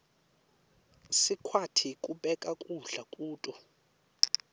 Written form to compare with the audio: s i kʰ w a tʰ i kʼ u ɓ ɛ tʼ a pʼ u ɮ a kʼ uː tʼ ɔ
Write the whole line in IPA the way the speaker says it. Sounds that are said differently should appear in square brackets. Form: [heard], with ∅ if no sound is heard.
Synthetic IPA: s i kʰ w a tʰ i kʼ u ɓ ɛ [kʼ] a [kʼ] u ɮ a kʼ uː tʼ ɔ

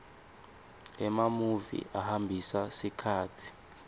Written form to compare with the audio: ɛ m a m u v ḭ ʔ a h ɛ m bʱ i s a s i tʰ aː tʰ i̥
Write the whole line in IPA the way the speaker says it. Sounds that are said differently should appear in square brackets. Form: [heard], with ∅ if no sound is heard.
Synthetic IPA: ɛ m a m u v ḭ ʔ a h [a] m bʱ i s a s i [kʰ] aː tʰ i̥

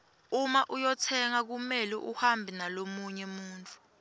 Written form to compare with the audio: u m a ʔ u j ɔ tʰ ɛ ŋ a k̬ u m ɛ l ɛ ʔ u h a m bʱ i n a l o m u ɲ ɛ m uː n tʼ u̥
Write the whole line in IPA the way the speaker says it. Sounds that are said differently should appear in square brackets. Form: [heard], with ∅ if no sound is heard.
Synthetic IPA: u m a ʔ u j ɔ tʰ ɛ ŋ a k̬ u m ɛ l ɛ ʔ u h a m bʱ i n a l o m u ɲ ɛ m uː n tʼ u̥

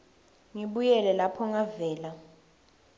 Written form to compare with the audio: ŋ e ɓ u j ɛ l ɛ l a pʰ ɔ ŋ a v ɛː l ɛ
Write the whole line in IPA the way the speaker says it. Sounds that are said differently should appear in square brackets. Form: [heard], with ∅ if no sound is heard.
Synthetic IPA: ŋ [i] ɓ u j ɛ l ɛ l a pʰ ɔ ŋ a v ɛː l [a]

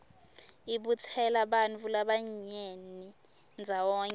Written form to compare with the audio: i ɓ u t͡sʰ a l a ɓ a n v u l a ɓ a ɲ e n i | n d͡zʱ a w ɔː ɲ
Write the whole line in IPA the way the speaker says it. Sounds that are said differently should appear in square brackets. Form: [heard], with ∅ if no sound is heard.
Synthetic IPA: i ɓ u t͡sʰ [ɛ] l a ɓ a n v u l a ɓ a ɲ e n i | n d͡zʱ a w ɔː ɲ

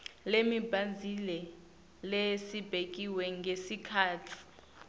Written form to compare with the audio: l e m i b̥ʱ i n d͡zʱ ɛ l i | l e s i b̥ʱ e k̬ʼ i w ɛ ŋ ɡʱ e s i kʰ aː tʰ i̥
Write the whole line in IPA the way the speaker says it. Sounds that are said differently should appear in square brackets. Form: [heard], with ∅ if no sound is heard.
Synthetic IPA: l e m i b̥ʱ [a] n d͡zʱ [i] l [ɛ] | l e s i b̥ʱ e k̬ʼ i w ɛ ŋ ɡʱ e s i kʰ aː tʰ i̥

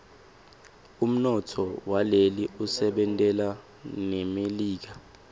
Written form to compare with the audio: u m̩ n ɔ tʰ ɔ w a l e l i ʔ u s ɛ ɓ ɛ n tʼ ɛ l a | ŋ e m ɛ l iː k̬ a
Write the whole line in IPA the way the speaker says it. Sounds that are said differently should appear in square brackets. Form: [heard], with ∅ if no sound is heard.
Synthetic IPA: u m̩ n ɔ tʰ ɔ w a l e l i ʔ u s ɛ ɓ ɛ n tʼ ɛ l a | [n] e m [e] l iː k̬ a

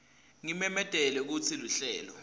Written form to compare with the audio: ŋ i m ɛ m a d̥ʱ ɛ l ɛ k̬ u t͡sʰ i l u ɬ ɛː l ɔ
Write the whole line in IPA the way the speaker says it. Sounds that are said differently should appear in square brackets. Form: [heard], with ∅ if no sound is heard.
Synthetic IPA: ŋ i m ɛ m [ɛ] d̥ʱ ɛ l ɛ k̬ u t͡sʰ i l u ɬ ɛː l ɔ

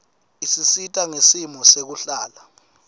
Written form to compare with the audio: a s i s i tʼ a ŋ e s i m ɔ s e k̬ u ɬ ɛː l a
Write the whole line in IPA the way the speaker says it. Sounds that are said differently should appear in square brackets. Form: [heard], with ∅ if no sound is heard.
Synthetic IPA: [i] s i s i tʼ a ŋ e s i m ɔ s e k̬ u ɬ [aː] l a

